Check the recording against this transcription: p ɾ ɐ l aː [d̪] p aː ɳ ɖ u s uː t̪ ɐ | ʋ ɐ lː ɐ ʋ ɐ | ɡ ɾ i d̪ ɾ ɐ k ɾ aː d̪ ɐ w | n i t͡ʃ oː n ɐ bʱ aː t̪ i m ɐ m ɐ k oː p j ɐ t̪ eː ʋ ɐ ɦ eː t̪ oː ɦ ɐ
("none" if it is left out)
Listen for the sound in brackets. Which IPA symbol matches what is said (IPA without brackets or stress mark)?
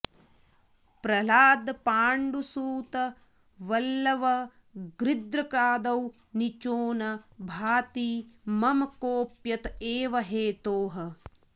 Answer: d̪